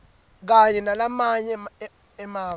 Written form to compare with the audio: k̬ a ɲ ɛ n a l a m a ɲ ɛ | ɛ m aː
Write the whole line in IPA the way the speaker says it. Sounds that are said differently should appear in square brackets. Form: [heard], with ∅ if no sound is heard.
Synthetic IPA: k̬ a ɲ ɛ n a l a m a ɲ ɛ | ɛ m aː

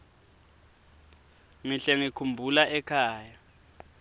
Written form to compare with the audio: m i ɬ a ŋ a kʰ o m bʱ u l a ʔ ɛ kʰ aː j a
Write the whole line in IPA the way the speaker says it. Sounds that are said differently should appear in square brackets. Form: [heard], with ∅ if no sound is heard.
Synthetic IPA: m i ɬ [ɛ] ŋ [i] kʰ [u] m bʱ u l a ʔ ɛ kʰ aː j a

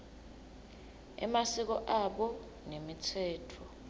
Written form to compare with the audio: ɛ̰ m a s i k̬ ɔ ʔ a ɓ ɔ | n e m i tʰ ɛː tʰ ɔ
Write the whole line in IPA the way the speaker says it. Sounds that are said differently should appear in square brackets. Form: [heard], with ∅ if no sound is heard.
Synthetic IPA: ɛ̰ m a s i k̬ ɔ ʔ a ɓ ɔ | n e m i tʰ ɛː tʰ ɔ

